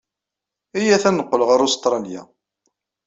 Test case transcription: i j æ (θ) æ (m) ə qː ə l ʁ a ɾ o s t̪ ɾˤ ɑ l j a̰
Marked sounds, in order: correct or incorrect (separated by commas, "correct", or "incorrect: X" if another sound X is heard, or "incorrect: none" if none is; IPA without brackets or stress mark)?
correct, incorrect: n